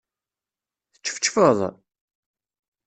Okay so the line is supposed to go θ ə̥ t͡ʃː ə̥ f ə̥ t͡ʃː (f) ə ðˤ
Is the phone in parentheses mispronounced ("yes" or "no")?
no